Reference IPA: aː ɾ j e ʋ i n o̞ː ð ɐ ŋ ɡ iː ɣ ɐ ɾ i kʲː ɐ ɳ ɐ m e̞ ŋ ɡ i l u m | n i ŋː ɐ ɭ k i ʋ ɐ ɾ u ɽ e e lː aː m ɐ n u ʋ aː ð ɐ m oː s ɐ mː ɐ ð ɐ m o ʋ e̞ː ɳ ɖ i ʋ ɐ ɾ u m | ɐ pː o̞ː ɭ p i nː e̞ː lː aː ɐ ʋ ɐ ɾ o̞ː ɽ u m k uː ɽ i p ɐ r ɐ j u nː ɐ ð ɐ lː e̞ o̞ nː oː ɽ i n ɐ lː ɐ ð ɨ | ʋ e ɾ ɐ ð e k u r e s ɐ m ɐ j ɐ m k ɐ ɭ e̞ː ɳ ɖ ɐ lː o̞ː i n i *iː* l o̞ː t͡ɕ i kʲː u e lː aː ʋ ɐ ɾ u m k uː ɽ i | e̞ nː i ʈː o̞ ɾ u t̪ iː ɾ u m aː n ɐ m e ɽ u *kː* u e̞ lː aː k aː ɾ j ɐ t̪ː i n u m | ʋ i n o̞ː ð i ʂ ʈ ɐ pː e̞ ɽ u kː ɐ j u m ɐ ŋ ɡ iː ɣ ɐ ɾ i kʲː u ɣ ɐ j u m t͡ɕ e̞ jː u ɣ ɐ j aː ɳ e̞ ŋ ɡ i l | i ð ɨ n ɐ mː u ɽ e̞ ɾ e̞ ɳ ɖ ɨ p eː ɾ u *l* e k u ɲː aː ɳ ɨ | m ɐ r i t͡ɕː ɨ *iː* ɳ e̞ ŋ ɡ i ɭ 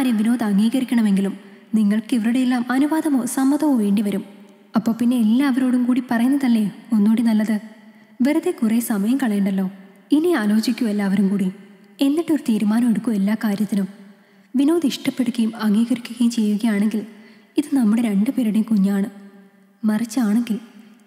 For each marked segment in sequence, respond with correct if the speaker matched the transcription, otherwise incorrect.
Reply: incorrect, correct, incorrect, incorrect

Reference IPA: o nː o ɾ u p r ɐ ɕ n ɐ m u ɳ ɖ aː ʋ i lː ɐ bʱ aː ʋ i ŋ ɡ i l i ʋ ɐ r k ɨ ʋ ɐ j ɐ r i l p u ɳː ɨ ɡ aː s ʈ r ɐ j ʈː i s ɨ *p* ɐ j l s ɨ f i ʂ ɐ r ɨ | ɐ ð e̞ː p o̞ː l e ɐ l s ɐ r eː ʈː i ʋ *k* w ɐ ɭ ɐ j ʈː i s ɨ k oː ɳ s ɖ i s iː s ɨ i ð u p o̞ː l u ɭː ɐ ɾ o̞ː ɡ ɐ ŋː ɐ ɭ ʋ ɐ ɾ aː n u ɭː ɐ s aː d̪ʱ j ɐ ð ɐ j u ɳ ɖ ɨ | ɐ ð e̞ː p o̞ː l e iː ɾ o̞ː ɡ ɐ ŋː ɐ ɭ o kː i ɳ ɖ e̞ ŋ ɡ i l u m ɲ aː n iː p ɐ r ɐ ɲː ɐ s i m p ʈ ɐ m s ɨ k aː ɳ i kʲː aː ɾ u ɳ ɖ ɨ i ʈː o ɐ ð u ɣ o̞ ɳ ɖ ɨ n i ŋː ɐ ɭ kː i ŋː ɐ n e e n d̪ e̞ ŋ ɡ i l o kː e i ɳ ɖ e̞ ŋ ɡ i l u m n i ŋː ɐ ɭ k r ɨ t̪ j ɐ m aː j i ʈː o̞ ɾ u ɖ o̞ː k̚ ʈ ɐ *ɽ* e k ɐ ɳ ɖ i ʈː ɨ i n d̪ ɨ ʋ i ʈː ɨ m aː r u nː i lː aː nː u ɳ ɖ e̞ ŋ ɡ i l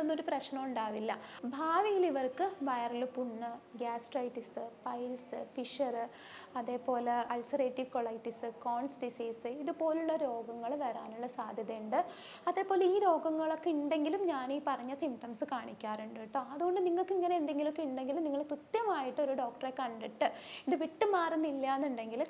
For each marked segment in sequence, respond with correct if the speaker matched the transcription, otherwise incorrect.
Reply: correct, correct, incorrect

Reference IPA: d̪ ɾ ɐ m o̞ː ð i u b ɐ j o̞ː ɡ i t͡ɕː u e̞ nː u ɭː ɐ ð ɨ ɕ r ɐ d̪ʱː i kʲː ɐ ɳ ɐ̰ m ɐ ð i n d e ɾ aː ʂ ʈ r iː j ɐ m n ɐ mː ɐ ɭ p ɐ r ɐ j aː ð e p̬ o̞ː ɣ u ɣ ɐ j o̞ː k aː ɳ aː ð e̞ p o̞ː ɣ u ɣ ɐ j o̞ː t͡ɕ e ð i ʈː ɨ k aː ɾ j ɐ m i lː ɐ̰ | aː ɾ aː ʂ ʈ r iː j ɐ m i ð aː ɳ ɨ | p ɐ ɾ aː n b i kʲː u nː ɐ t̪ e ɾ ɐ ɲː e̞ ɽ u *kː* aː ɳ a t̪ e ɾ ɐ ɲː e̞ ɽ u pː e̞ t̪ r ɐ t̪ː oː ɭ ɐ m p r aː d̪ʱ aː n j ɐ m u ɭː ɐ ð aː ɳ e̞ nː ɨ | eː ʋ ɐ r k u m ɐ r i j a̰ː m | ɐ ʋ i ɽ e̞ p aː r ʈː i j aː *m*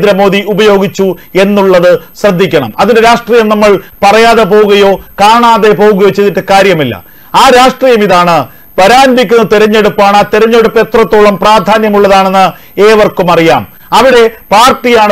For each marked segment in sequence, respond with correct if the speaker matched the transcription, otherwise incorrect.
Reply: incorrect, incorrect

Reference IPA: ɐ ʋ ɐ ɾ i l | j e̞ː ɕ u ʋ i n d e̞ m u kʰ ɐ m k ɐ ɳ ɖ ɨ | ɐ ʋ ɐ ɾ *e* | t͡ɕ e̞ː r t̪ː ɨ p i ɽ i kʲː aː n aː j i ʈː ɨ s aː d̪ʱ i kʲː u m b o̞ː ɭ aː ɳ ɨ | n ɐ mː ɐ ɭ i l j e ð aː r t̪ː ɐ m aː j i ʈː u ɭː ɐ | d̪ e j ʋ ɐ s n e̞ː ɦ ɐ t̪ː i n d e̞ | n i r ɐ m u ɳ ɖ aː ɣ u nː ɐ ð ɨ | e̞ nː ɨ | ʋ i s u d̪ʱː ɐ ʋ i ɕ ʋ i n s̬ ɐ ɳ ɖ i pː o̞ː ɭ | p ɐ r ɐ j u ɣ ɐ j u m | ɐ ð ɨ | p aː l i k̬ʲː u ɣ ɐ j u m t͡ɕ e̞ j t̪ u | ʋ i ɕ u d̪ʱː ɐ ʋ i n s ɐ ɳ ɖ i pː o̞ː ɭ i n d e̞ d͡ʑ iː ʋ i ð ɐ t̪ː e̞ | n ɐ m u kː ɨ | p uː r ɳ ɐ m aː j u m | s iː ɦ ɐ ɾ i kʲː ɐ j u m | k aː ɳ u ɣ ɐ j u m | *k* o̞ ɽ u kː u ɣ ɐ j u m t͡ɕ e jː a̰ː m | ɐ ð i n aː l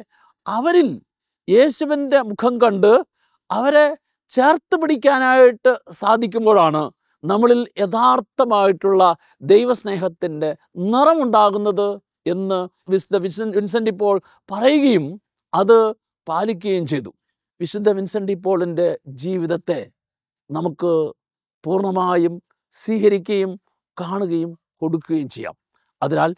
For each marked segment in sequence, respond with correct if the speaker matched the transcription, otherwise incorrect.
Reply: correct, correct

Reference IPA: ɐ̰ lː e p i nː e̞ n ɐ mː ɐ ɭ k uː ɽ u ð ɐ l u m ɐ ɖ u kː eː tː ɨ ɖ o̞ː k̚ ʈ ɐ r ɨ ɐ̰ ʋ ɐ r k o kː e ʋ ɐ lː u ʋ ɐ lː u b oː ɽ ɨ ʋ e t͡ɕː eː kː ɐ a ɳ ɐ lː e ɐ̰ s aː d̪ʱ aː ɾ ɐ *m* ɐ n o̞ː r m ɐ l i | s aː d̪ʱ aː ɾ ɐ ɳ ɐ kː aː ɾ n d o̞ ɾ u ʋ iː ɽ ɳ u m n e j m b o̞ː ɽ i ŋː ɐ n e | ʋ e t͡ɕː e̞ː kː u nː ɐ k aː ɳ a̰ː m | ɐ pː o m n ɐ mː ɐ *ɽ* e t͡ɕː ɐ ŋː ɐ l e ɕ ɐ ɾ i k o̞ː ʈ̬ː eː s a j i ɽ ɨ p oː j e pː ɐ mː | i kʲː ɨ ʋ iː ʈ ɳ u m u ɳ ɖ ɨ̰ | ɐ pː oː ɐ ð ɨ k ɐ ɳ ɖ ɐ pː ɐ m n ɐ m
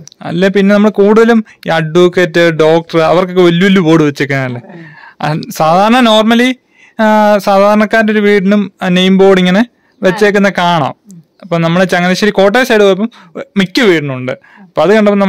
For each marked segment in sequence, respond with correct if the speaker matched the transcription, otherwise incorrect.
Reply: incorrect, incorrect

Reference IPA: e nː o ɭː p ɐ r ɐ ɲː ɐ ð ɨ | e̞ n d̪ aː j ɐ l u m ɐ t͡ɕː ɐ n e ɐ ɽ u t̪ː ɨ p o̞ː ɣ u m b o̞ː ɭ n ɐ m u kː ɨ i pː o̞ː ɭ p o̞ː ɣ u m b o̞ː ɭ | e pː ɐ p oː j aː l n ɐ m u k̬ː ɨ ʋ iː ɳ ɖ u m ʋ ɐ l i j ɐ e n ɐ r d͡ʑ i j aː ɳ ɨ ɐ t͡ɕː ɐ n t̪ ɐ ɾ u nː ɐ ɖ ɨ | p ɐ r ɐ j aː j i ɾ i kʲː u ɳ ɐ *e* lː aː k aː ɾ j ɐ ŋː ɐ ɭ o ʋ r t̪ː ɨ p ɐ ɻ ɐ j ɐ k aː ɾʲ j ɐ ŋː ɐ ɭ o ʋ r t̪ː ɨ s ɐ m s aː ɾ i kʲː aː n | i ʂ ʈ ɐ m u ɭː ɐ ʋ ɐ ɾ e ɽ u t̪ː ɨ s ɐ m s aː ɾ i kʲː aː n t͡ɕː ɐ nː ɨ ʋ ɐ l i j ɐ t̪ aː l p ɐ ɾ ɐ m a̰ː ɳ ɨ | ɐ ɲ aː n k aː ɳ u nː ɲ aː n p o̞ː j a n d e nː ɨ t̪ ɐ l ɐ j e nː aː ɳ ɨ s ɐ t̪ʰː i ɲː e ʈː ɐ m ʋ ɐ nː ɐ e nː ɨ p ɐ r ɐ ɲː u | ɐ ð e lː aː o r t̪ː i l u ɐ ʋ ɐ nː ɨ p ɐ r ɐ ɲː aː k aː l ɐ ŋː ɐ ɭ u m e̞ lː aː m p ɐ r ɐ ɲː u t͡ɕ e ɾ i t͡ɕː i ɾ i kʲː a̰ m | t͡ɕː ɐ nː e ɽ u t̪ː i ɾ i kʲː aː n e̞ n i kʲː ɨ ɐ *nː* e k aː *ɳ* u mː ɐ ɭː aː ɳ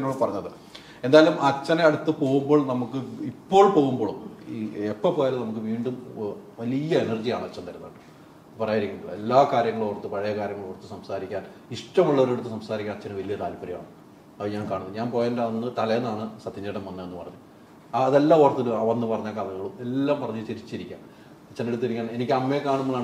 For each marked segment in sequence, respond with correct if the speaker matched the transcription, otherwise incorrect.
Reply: correct, incorrect, correct

